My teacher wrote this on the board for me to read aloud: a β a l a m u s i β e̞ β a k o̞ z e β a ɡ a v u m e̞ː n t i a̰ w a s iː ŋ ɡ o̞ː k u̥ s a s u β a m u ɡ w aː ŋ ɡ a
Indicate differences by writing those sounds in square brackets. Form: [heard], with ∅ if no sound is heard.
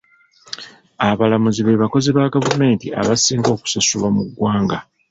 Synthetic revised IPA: a β a l a m u [z] i β e̞ β a k o̞ z e β a ɡ a v u m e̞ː n t i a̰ [β] a s iː ŋ ɡ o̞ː k u̥ s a s u β a m u ɡ w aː ŋ ɡ a